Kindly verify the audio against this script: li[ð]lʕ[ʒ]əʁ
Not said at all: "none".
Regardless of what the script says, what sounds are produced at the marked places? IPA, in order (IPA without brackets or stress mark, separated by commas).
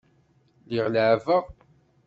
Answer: ʁ, v